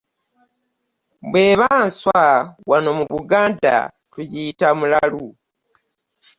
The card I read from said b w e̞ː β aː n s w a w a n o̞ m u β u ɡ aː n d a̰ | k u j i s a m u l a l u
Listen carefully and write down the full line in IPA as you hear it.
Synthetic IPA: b w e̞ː β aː n s w a w a n o̞ m u β u ɡ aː n d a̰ | t u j i t a m u l a l u